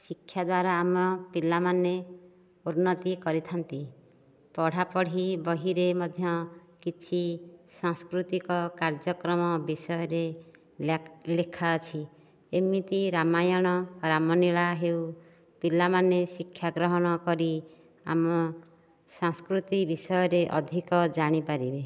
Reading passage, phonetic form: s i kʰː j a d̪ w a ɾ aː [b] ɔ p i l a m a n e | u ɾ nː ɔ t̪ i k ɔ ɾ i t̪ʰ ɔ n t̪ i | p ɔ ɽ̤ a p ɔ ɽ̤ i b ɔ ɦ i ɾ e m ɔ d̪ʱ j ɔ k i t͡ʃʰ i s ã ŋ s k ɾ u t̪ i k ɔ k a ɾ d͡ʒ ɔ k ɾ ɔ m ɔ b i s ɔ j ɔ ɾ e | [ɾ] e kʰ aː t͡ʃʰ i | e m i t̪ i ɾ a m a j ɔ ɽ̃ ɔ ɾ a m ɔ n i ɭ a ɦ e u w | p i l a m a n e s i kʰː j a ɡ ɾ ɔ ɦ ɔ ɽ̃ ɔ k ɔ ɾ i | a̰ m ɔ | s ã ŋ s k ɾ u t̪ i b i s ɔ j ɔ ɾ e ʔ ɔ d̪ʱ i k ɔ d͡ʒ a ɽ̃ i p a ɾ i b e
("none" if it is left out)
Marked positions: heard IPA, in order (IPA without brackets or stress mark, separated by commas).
m, l